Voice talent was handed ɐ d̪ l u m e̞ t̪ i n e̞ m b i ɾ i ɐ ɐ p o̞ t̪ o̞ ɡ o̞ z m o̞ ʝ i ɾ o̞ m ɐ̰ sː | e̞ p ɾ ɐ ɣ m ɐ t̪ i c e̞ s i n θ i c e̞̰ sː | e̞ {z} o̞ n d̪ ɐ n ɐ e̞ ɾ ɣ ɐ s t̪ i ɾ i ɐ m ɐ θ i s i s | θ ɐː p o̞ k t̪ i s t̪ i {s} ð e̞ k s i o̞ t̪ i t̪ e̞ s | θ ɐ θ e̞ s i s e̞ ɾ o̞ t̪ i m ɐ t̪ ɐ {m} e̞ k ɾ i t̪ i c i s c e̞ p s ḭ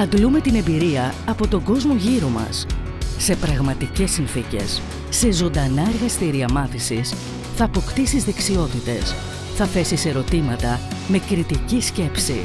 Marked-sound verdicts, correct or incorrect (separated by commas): correct, incorrect, correct